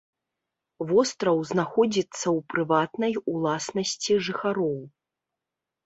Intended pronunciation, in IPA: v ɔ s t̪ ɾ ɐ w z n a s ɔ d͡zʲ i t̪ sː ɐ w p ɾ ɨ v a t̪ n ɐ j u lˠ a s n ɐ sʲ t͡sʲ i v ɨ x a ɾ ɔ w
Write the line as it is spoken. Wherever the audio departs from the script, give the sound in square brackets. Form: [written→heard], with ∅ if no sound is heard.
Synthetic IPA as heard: v ɔ s t̪ ɾ ɐ w z n a [s→x] ɔ d͡zʲ i t̪ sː ɐ w p ɾ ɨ v a t̪ n ɐ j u lˠ a s n ɐ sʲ t͡sʲ i [v→ʐ] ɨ x a ɾ ɔ w